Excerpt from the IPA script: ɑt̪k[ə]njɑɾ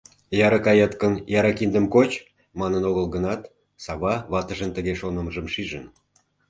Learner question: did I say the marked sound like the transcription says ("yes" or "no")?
yes